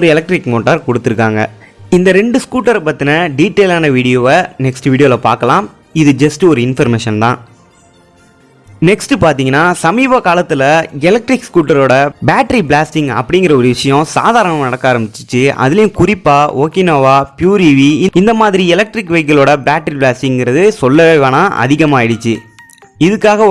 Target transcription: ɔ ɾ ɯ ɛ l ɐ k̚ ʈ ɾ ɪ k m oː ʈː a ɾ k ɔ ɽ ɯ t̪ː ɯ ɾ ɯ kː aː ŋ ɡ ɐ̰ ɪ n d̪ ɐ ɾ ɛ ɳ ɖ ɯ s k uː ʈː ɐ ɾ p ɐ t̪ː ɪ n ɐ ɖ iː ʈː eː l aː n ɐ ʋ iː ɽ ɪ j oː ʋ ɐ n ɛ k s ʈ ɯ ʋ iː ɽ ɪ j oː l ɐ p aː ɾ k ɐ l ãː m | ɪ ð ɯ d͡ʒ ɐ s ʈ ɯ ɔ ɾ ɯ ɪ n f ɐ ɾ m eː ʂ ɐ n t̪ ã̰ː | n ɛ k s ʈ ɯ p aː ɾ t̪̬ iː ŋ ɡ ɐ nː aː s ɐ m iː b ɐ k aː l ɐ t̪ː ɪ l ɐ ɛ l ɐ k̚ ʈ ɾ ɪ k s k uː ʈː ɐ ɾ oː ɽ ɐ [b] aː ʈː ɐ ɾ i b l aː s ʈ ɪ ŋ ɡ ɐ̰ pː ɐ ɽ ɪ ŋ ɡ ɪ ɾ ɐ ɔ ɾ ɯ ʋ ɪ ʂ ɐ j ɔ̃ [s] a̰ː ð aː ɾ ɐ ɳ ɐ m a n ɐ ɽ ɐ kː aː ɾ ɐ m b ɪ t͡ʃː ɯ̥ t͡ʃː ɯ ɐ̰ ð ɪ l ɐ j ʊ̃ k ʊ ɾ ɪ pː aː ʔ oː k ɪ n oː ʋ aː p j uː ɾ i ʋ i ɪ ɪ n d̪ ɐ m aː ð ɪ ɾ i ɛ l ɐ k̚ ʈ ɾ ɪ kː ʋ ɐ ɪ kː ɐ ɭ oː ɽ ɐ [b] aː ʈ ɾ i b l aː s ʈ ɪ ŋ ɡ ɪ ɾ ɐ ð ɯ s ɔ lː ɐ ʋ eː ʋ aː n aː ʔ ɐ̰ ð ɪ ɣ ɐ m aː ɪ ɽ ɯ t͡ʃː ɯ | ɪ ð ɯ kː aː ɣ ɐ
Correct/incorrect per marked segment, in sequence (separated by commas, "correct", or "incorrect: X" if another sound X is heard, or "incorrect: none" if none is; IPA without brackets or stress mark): correct, correct, correct